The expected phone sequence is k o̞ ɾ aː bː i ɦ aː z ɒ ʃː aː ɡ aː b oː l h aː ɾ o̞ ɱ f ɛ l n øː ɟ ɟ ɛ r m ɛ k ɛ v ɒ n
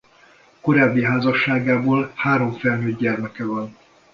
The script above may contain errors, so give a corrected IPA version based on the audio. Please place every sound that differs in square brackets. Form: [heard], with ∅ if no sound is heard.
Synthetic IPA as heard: k o̞ ɾ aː bː i ɦ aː z ɒ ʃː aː ɡ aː b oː l h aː ɾ o̞ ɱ f ɛ l n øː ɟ ɟ ɛ r m ɛ k ɛ v ɒ n